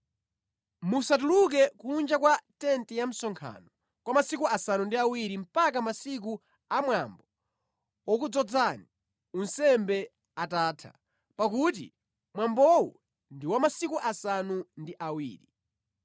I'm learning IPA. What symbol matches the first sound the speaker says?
m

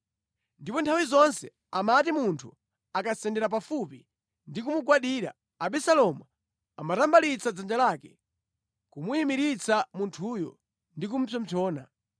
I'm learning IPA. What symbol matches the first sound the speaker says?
n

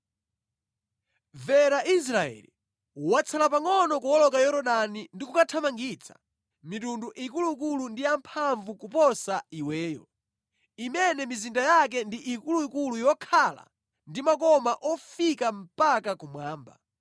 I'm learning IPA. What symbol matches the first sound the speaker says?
v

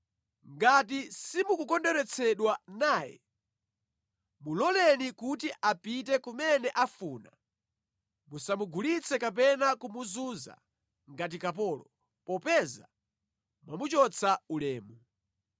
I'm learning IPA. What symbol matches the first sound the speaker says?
ŋ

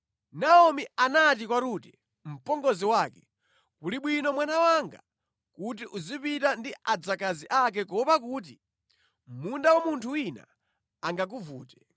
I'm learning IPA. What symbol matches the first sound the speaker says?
n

